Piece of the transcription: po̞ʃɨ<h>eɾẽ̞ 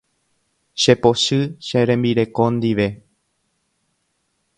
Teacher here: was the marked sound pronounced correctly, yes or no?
no